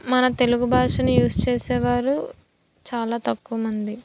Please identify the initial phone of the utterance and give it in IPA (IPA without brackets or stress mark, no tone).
m